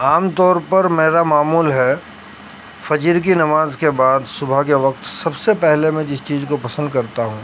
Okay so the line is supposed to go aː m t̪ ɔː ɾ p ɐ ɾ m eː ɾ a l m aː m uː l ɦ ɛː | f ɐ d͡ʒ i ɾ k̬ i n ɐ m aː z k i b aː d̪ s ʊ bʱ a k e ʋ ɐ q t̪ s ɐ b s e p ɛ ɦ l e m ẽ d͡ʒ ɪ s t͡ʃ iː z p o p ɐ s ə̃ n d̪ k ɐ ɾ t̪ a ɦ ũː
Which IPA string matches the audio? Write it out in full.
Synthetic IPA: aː m t̪ ɔː ɾ p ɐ ɾ m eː ɾ a m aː m uː l ɦ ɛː | f ɐ d͡ʒ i ɾ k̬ i n ɐ m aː z k e b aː d̪ s ʊ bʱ a k e ʋ ɐ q t̪ s ɐ b s e p ɛ ɦ l e m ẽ d͡ʒ ɪ s t͡ʃ iː z k o p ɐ s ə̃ n d̪ k ɐ ɾ t̪ a ɦ ũː